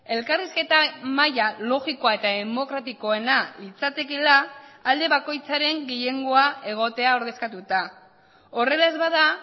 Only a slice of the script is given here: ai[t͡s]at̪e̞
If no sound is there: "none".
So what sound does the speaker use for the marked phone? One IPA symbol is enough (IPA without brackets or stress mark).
t͡s